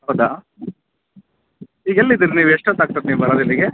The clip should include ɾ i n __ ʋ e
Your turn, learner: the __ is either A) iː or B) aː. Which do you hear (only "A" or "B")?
A